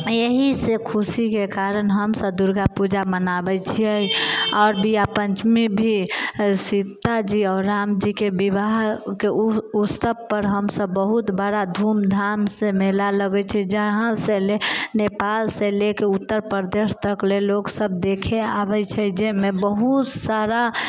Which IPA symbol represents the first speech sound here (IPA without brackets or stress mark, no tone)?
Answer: e